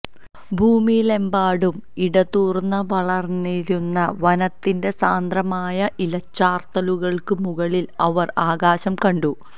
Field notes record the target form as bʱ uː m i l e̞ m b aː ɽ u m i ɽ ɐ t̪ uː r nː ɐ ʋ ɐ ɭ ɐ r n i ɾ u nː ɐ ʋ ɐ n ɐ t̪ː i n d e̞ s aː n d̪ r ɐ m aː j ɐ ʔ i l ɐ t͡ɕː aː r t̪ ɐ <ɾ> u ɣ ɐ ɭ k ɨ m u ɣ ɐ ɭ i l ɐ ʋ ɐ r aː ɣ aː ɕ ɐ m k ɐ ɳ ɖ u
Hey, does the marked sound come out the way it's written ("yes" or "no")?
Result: no